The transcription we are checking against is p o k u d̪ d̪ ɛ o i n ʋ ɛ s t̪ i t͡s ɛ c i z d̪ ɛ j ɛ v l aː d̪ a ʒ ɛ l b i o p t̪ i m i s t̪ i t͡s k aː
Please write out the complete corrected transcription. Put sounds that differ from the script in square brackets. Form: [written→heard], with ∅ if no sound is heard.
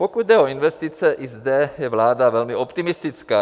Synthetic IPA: p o k u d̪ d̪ ɛ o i n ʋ ɛ s t̪ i t͡s ɛ [c→ʔ] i z d̪ ɛ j ɛ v l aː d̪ a [ʒ→v] ɛ l [b→m] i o p t̪ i m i s t̪ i t͡s k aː